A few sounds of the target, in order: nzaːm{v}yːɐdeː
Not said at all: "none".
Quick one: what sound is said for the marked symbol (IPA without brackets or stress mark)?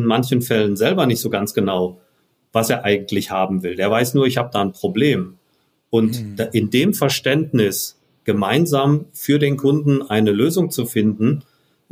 f